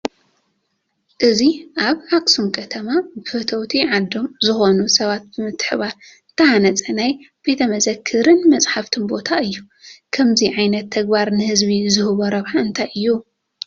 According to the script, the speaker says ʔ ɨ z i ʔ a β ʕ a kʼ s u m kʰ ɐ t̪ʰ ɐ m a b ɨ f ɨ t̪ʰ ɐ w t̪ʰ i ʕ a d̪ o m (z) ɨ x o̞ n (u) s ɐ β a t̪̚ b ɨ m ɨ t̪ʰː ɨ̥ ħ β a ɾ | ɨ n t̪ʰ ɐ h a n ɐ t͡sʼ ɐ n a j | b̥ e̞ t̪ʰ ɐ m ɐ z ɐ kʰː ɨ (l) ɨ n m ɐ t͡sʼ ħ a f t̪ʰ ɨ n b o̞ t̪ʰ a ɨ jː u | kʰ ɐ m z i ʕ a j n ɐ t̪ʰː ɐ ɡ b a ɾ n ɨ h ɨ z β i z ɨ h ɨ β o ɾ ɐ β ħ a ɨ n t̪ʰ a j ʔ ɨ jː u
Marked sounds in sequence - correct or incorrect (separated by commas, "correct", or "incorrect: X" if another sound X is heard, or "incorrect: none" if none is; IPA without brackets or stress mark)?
correct, correct, incorrect: ɾ